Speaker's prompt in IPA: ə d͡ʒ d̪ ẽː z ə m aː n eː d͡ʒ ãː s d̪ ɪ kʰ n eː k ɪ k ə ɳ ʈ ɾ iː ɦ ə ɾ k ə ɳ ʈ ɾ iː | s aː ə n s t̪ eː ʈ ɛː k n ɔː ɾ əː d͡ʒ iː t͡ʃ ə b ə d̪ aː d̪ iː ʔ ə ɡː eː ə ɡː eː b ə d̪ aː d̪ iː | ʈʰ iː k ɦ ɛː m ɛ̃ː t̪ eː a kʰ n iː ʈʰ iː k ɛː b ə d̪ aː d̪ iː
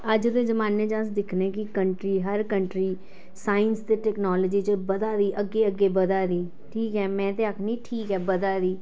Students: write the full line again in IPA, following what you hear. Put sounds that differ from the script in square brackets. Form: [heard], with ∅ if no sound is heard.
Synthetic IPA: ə d͡ʒ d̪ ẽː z ə m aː n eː d͡ʒ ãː s d̪ ɪ kʰ n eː k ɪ k ə ɳ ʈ ɾ iː ɦ ə ɾ k ə ɳ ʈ ɾ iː | s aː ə n s t̪ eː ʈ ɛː k n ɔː [l] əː d͡ʒ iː t͡ʃ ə b ə d̪ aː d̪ iː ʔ ə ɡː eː ə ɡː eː b ə d̪ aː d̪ iː | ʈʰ iː k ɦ ɛː m ɛ̃ː t̪ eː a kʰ n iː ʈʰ iː k ɛː b ə d̪ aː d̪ iː

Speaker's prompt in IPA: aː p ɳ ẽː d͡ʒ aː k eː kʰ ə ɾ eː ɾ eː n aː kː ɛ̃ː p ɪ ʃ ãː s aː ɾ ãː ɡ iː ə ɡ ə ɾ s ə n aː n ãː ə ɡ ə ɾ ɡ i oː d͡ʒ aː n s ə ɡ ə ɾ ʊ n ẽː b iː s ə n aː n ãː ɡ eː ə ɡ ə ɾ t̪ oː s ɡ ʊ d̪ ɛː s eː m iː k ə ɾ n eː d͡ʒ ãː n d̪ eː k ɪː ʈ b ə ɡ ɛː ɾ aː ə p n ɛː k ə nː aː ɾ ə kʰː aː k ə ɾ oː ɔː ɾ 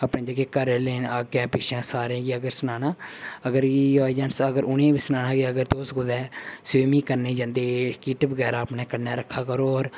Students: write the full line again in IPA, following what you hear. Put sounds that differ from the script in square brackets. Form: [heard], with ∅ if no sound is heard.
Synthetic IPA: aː p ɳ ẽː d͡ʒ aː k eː [k] ə ɾ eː [l] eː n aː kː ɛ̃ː p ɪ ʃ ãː s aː ɾ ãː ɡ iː ə ɡ ə ɾ s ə n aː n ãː ə ɡ ə ɾ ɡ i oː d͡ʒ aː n s ə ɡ ə ɾ ʊ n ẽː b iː s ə n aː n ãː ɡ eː ə ɡ ə ɾ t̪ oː s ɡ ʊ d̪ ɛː s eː m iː k ə ɾ n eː d͡ʒ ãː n d̪ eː k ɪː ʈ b ə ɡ ɛː ɾ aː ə p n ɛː k ə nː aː ɾ ə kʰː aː k ə ɾ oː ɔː ɾ

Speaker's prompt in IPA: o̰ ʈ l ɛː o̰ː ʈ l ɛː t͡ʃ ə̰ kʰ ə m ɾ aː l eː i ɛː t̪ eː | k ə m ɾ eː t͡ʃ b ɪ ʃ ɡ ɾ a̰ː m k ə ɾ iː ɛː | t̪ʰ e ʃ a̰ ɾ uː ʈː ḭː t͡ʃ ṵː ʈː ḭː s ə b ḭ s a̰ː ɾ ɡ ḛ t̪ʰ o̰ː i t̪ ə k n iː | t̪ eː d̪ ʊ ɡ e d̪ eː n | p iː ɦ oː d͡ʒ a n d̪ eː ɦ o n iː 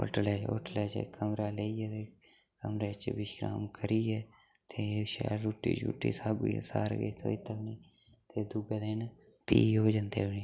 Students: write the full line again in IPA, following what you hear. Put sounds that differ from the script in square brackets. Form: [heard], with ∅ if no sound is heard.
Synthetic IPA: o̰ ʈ l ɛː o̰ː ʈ l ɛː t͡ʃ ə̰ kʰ ə m ɾ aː l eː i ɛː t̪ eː | k ə m ɾ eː t͡ʃ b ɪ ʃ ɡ ɾ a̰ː m k ə ɾ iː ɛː | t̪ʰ e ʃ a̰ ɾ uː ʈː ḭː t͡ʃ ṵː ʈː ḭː s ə b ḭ s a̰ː ɾ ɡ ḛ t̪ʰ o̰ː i t̪ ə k n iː | t̪ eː d̪ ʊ ɡ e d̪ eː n | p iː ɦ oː d͡ʒ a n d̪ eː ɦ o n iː

